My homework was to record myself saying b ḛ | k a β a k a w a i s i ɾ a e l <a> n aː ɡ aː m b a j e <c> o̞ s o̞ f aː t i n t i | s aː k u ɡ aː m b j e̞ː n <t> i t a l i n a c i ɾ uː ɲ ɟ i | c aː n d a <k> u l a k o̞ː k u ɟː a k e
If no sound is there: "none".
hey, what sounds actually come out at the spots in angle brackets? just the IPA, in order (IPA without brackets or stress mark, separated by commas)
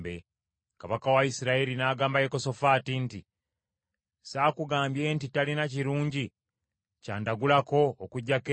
i, k, t, ɡ